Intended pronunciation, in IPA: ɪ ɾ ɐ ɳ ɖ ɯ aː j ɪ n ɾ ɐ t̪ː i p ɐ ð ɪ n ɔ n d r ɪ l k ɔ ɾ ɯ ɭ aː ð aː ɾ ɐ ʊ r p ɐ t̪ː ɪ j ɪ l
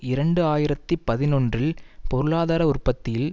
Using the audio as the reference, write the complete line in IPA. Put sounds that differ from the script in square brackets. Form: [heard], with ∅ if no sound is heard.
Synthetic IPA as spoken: ɪ ɾ ɐ ɳ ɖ ɯ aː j ɪ [∅] ɾ ɐ t̪ː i p ɐ ð ɪ n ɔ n d r ɪ l [p] ɔ ɾ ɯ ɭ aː ð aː ɾ ɐ ʊ r p ɐ t̪ː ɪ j ɪ l

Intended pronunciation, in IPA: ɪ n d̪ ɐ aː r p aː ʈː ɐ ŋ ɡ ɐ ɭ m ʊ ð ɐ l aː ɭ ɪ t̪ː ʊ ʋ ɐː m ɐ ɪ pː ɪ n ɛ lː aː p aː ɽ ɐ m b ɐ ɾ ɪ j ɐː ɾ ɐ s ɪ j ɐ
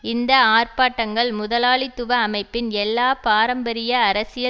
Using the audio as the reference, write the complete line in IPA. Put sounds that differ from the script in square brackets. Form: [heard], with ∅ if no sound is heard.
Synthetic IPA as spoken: ɪ n d̪ ɐ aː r p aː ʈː ɐ ŋ ɡ ɐ ɭ m ʊ ð ɐ l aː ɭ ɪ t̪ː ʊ ʋ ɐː m ɐ ɪ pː ɪ n ɛ lː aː p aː [ɾ] ɐ m b ɐ ɾ ɪ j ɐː ɾ ɐ s ɪ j ɐ

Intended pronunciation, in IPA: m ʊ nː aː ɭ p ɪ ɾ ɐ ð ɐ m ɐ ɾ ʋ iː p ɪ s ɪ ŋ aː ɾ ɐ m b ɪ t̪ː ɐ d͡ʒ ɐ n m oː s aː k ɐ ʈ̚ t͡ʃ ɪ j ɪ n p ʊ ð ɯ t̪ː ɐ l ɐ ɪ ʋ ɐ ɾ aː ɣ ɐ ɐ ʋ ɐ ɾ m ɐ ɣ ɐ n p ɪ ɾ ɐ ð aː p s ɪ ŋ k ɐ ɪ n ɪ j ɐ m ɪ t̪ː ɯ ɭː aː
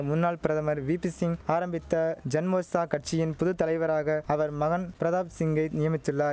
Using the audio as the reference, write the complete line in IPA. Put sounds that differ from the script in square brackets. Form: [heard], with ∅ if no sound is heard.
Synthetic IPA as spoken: m ʊ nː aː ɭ p ɪ ɾ ɐ ð ɐ m ɐ ɾ ʋ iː p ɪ s ɪ ŋ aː ɾ ɐ m b ɪ t̪ː ɐ d͡ʒ ɐ n m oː s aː k ɐ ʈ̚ t͡ʃ ɪ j ɪ n p ʊ ð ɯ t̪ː ɐ l ɐ ɪ ʋ ɐ ɾ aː ɣ ɐ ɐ ʋ ɐ ɾ m ɐ ɣ ɐ n p ɪ ɾ ɐ ð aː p s ɪ ŋ [ɡ] ɐ ɪ n ɪ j ɐ m ɪ t̪ː ɯ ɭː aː

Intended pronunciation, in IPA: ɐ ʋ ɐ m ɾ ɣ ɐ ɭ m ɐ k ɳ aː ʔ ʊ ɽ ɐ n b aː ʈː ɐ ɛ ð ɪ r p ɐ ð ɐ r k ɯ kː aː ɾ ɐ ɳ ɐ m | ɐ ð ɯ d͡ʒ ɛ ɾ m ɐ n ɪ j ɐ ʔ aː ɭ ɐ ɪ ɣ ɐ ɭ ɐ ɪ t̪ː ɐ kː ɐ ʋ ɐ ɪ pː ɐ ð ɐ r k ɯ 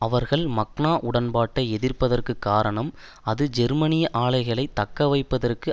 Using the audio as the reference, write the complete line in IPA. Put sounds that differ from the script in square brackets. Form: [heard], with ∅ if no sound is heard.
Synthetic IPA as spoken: ɐ ʋ ɐ [∅] ɾ ɣ ɐ ɭ m ɐ k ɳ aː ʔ ʊ ɽ ɐ n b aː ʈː ɐ ɛ ð ɪ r p ɐ ð ɐ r k ɯ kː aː ɾ ɐ ɳ ɐ m | ɐ ð ɯ d͡ʒ ɛ ɾ m ɐ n ɪ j ɐ ʔ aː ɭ ɐ ɪ ɣ ɐ ɭ ɐ ɪ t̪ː ɐ kː ɐ ʋ ɐ ɪ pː ɐ ð ɐ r k ɯ

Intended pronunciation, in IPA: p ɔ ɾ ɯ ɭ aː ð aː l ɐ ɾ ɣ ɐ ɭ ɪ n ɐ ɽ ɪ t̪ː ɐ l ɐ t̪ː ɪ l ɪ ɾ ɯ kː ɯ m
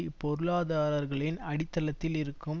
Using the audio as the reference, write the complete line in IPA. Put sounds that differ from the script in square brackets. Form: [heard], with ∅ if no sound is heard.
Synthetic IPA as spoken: p ɔ ɾ ɯ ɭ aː ð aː [ɾ] ɐ ɾ ɣ ɐ ɭ ɪ n ɐ ɽ ɪ t̪ː ɐ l ɐ t̪ː ɪ l ɪ ɾ ɯ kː ɯ m

